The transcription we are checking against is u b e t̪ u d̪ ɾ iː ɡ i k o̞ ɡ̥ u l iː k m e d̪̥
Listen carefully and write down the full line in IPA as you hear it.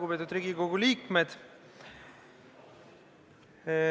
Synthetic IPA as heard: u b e t̪ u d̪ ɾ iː ɡ i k o̞ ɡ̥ u l iː k m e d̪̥